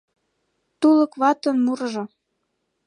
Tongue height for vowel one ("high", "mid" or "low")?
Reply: high